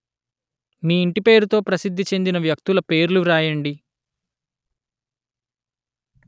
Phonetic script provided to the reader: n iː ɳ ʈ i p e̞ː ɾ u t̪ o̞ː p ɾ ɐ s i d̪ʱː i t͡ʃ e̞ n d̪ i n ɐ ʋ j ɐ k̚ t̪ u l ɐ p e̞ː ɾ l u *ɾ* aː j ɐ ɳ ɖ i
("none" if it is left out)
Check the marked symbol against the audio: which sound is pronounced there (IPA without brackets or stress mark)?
ɾ